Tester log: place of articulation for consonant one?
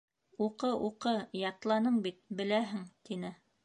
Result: uvular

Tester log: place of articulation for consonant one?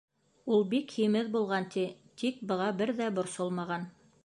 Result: alveolar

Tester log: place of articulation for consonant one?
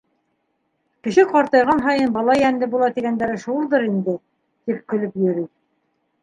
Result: velar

